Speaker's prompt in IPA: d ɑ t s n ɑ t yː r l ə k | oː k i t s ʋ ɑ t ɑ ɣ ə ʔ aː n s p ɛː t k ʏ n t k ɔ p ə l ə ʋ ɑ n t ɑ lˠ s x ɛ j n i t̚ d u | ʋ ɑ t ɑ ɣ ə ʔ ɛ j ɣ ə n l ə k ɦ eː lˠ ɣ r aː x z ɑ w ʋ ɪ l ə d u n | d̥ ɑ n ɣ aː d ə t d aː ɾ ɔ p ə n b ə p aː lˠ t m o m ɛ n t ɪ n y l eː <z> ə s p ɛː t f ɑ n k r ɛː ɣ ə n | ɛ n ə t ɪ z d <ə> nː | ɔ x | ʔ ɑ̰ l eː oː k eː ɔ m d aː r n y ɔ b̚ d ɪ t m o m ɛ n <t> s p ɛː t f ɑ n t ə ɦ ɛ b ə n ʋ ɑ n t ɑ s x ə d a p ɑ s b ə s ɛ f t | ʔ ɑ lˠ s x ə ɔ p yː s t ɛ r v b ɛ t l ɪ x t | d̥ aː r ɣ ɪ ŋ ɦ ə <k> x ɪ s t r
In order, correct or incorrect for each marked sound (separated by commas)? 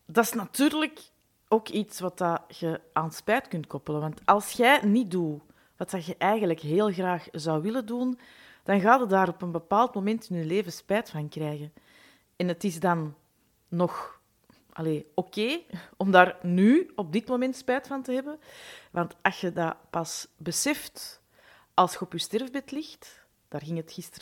incorrect, incorrect, correct, incorrect